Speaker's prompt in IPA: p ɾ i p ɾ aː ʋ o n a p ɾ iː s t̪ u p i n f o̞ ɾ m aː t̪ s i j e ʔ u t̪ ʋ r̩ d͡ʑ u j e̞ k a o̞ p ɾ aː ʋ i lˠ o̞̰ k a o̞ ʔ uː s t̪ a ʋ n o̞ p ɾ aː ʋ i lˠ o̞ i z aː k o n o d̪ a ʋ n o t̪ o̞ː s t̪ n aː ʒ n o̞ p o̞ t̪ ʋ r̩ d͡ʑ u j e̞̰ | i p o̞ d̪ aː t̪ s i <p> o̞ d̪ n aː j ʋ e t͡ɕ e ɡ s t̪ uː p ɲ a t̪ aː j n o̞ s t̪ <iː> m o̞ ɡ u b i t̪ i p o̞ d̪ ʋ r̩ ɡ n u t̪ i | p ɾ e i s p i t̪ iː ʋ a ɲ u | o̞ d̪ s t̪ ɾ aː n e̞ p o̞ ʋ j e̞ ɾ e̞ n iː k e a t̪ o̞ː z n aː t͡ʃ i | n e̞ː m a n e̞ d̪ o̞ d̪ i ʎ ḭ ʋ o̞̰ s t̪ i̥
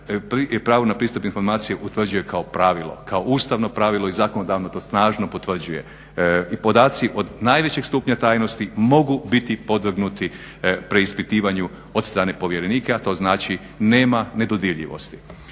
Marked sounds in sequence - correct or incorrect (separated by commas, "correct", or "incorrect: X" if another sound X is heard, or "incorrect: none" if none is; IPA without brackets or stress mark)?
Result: incorrect: ʔ, incorrect: i